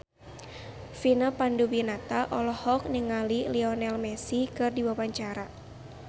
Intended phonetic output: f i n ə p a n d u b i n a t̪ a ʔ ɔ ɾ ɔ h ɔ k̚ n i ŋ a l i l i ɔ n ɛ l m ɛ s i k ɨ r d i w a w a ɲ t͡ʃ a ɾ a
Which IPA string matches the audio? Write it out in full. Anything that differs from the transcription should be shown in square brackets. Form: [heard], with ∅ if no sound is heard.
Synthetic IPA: f i n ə p a n d u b i n a t̪ a ʔ ɔ [l] ɔ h ɔ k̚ n i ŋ a l i l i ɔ n ɛ l m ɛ s i k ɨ r d i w a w a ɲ t͡ʃ a ɾ a